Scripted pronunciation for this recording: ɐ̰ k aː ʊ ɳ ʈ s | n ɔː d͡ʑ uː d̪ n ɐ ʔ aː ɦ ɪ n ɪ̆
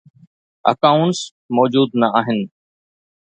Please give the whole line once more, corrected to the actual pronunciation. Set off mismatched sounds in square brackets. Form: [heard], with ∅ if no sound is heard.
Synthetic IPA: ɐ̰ k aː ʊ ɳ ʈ s | [m] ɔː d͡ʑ uː d̪ n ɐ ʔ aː ɦ ɪ n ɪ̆